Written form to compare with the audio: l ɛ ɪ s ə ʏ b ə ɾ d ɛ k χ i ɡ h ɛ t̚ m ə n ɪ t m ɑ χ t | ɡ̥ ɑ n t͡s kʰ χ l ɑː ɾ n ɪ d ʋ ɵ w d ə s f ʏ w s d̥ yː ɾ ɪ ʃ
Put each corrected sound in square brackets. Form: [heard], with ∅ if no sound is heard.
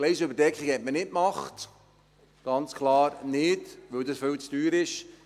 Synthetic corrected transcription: l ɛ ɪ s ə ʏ b ə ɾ d ɛ k χ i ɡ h ɛ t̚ m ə n ɪ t m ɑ χ t | ɡ̥ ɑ n t͡s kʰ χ l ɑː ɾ n ɪ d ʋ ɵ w d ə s f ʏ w [t͡s] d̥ yː ɾ ɪ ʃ